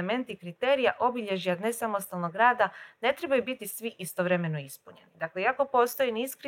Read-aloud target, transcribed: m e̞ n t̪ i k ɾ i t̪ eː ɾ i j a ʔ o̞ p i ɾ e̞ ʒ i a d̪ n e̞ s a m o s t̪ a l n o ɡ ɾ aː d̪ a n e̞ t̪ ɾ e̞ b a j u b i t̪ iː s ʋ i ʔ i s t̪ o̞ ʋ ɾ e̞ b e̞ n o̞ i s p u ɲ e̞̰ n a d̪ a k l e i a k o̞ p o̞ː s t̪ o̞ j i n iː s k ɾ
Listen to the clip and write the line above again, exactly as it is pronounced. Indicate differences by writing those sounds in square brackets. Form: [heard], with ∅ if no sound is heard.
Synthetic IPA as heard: m e̞ n t̪ i k ɾ i t̪ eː ɾ i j a ʔ o̞ [b] i [ʎ] e̞ ʒ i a d̪ n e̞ s a m o s t̪ a l n o ɡ ɾ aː d̪ a n e̞ t̪ ɾ e̞ b a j u b i t̪ [i] s ʋ i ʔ i s t̪ o̞ ʋ ɾ e̞ [m] e̞ n o̞ i s p u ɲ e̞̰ n [i] d̪ a k l e i a k o̞ p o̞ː s t̪ o̞ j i n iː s k ɾ